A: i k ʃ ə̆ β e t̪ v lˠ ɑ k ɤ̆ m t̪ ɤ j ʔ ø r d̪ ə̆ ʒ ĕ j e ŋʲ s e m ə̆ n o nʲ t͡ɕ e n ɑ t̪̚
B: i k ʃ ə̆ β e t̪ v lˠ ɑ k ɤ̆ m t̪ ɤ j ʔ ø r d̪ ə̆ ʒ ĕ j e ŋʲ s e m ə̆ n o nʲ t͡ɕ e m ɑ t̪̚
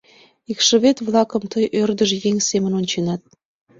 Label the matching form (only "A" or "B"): A